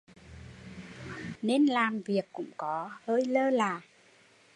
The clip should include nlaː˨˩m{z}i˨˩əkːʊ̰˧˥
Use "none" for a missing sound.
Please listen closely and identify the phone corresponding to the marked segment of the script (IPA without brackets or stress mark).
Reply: v